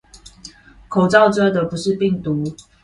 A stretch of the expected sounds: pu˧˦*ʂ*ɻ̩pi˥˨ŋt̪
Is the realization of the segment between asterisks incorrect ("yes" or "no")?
no